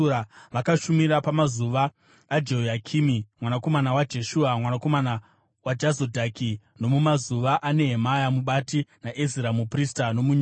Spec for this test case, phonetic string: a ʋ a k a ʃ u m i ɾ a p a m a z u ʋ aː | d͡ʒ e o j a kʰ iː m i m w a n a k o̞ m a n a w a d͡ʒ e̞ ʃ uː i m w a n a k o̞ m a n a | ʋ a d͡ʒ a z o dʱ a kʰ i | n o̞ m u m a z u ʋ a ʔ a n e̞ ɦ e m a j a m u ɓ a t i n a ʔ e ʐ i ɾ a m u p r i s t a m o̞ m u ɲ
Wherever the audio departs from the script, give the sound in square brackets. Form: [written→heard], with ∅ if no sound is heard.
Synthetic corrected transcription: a ʋ a k a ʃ u m i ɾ a p a m a z u ʋ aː | d͡ʒ e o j a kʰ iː m i m w a n a k o̞ m a n a w a d͡ʒ e̞ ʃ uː [i→a] m w a n a k o̞ m a n a | [ʋ→w] a d͡ʒ a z o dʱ a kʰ i | n o̞ m u m a z u ʋ a ʔ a n e̞ ɦ e m a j a m u ɓ a t i n a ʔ e [ʐ→z] i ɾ a m u p r i s t a [m→n] o̞ m u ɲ